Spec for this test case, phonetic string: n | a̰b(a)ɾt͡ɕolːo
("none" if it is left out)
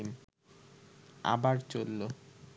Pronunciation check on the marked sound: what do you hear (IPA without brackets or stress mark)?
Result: a